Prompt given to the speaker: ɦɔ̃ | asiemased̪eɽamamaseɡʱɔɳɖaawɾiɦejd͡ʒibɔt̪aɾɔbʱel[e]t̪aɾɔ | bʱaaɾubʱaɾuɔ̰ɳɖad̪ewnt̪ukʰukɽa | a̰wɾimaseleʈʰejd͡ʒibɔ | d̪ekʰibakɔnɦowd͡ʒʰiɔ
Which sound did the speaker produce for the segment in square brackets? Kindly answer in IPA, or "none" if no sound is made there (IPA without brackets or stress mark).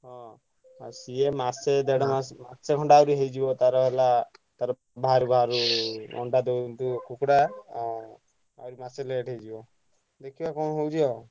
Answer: a